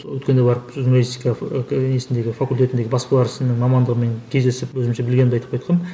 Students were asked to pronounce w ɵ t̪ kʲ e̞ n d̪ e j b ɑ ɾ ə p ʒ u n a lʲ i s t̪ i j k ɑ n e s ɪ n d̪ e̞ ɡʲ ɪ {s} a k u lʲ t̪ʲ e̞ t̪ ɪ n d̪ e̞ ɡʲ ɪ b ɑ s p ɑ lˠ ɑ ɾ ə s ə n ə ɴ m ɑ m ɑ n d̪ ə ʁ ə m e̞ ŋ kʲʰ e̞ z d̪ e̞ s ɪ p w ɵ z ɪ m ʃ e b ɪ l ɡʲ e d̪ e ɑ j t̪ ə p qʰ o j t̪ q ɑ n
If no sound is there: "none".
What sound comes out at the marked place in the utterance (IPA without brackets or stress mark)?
f